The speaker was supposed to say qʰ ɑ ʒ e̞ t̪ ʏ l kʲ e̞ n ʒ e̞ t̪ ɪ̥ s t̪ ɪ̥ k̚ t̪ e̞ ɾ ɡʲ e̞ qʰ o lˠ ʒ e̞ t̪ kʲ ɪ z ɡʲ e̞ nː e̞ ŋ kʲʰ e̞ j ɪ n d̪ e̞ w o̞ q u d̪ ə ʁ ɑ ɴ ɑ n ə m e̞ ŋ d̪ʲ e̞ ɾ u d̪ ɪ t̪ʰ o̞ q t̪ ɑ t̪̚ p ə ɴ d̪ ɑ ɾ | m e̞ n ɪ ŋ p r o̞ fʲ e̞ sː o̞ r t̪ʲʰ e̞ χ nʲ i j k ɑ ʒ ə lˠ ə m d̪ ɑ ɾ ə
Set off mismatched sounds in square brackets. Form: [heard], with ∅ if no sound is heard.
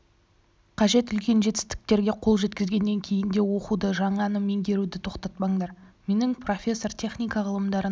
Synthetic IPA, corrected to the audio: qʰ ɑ ʒ e̞ t̪ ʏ l kʲ e̞ n ʒ e̞ t̪ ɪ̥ s t̪ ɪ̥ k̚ t̪ e̞ ɾ ɡʲ e̞ qʰ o lˠ ʒ e̞ t̪ kʲ ɪ z ɡʲ e̞ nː e̞ ŋ kʲʰ e̞ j ɪ n d̪ e̞ w o̞ q u d̪ ə [ʒ] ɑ ɴ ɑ n ə m e̞ ŋ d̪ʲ e̞ ɾ u d̪ ɪ t̪ʰ o̞ q t̪ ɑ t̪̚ p [ɑ] ɴ d̪ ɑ ɾ | m e̞ n ɪ ŋ p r o̞ fʲ e̞ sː o̞ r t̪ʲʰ e̞ χ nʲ i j k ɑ [ʁ] ə lˠ ə m d̪ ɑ ɾ ə